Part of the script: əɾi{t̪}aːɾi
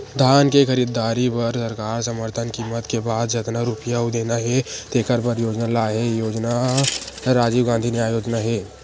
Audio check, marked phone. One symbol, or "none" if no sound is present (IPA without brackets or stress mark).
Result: d̪